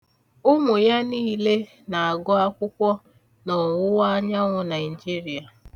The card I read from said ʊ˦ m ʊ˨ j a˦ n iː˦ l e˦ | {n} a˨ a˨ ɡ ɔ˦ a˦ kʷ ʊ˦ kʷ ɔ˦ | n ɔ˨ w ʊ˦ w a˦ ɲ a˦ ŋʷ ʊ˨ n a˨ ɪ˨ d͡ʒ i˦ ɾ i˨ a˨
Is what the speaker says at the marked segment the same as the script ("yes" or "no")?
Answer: yes